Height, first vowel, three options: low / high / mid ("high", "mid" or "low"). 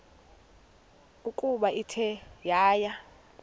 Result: high